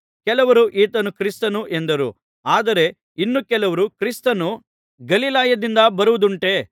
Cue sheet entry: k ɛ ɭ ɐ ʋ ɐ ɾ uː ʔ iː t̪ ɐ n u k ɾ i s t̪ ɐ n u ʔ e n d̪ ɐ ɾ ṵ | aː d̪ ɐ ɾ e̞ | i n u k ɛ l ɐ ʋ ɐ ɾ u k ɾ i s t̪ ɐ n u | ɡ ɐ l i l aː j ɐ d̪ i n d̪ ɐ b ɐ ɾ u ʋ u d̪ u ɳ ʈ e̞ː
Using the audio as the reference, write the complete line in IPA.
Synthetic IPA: k ɛ l ɐ ʋ ɐ ɾ u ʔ iː t̪ ɐ n u k ɾ i s t̪ ɐ n u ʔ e n d̪ ɐ ɾ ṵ | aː d̪ ɐ ɾ e̞ | i nː u k ɛ l ɐ ʋ ɐ ɾ u k ɾ i s t̪ ɐ n u | ɡ ɐ l i l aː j ɐ d̪ i n d̪ ɐ b ɐ ɾ u ʋ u d̪ u ɳ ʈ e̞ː